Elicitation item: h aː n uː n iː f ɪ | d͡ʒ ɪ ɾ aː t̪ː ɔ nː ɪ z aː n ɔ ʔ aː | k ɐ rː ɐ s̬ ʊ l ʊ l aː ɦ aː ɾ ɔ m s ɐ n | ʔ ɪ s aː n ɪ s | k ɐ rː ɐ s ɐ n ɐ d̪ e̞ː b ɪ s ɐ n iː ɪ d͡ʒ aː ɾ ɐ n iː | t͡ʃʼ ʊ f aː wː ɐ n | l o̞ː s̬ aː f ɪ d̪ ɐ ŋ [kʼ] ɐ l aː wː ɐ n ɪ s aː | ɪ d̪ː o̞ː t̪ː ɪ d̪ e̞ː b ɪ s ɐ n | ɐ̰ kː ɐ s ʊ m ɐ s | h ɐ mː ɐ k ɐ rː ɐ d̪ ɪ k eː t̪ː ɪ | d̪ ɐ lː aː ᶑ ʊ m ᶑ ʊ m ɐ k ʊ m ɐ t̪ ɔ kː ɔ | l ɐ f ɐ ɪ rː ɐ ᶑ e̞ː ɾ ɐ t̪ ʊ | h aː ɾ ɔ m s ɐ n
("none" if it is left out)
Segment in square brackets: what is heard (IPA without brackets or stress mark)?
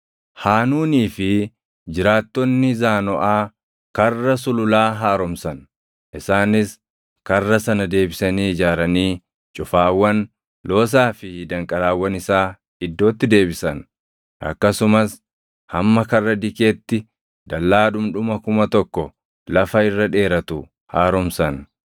kʼ